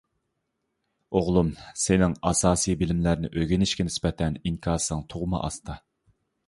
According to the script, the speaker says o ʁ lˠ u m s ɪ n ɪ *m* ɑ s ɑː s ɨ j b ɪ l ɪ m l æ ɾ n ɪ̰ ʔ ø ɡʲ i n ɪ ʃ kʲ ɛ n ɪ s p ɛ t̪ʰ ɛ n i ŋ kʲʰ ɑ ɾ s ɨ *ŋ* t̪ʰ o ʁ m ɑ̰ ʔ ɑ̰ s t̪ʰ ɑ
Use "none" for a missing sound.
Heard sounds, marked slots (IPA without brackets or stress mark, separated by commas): ŋ, ŋ